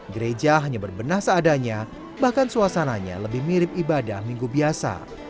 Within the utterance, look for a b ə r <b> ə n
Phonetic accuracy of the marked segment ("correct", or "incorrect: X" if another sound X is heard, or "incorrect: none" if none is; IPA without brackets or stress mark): correct